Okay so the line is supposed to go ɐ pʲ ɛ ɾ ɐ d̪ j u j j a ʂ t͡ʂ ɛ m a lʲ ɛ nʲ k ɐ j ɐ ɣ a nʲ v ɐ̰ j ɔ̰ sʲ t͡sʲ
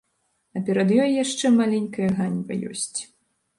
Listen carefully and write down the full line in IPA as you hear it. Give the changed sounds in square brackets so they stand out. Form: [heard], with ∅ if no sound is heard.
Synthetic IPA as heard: ɐ pʲ ɛ ɾ ɐ d̪ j [ɔ] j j a ʂ t͡ʂ ɛ m a lʲ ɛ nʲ k ɐ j ɐ ɣ a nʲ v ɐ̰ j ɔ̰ sʲ t͡sʲ